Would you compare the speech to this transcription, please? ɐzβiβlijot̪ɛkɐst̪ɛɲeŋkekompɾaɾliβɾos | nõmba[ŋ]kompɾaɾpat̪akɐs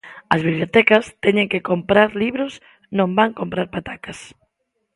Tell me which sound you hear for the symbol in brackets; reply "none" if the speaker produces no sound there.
ŋ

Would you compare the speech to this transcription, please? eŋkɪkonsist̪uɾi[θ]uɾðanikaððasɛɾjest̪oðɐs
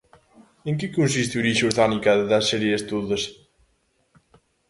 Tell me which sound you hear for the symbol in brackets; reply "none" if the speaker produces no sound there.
ʃ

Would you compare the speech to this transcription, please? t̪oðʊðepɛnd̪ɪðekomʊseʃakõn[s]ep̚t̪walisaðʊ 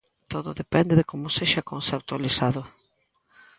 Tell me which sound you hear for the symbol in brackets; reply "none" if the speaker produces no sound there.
s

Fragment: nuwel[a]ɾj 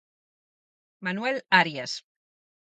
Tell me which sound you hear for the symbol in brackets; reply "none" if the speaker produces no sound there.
a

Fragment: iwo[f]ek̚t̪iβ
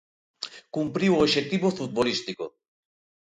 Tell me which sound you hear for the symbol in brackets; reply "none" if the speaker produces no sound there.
ʃ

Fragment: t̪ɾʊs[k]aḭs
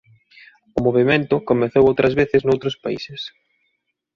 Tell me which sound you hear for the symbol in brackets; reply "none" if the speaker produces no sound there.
p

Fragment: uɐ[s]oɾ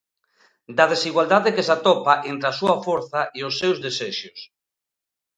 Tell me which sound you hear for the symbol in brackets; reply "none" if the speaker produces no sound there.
f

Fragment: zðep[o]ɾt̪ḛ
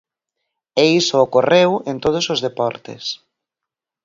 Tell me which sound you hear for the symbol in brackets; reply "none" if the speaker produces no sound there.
ɔ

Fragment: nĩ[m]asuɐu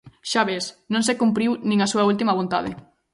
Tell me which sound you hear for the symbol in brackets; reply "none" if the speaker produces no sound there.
ŋ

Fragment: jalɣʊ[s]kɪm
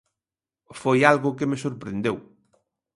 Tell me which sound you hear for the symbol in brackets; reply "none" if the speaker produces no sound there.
none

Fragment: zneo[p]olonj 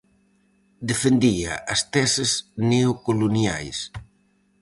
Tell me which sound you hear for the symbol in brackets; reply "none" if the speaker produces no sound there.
k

